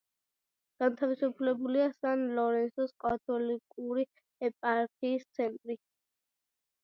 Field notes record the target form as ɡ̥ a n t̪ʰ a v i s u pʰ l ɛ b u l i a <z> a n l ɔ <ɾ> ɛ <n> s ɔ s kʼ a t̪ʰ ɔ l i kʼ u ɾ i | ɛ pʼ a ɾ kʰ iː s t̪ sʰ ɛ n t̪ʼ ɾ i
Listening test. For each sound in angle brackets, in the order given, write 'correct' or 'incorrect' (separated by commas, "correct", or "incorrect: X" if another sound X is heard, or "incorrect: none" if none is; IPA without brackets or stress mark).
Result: incorrect: s, correct, correct